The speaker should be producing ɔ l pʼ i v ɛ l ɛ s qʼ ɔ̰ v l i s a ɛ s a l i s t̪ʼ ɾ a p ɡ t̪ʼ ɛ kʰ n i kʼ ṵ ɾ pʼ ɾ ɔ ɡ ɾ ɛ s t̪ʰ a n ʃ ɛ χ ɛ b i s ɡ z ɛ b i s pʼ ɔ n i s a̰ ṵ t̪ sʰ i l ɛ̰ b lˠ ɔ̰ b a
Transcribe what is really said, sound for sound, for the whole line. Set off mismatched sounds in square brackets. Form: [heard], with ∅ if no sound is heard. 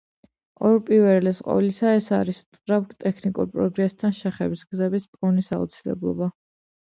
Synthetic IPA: ɔ [ɾ] pʼ i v ɛ l ɛ s qʼ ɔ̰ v l i s a ɛ s a [ɾ] i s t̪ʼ ɾ a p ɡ t̪ʼ ɛ kʰ n i kʼ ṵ ɾ pʼ ɾ ɔ ɡ ɾ ɛ s t̪ʰ a n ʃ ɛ χ ɛ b i s ɡ z ɛ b i s pʼ ɔ n i s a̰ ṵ t̪ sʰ i l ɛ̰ b lˠ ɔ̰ b a